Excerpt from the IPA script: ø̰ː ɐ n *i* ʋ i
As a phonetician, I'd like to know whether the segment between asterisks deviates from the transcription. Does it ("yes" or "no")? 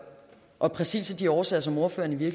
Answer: no